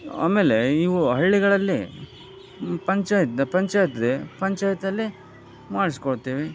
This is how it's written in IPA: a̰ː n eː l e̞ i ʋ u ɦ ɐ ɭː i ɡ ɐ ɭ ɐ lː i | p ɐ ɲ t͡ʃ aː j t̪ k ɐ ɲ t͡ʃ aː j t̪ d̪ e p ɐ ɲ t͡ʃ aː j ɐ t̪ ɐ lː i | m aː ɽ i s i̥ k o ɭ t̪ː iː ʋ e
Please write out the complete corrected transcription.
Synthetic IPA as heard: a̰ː m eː l e̞ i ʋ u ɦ ɐ ɭː i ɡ ɐ ɭ ɐ lː i | p ɐ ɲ t͡ʃ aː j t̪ p ɐ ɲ t͡ʃ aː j t̪ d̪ e p ɐ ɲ t͡ʃ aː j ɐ t̪ ɐ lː i | m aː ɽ i s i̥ k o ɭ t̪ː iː ʋ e